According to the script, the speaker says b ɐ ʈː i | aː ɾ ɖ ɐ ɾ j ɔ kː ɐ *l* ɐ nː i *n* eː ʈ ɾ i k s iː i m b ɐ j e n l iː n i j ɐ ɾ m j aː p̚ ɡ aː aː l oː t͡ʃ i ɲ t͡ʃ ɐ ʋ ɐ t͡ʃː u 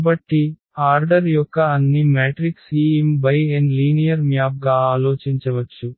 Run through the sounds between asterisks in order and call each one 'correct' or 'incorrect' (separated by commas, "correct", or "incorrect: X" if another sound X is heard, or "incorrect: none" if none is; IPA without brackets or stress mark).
incorrect: none, incorrect: m